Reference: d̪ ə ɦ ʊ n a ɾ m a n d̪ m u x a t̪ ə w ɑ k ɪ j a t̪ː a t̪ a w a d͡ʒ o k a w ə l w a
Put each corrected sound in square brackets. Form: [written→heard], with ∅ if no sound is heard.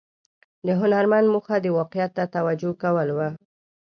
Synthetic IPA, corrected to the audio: d̪ ə ɦ ʊ n a ɾ m a n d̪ m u x a [t̪→d̪] ə w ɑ [k→q] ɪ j a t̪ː a t̪ a w a d͡ʒ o k a w ə l w a